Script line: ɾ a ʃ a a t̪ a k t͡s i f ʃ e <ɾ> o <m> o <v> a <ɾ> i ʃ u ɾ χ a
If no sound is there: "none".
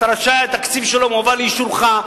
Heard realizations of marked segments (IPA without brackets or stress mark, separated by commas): l, m, v, l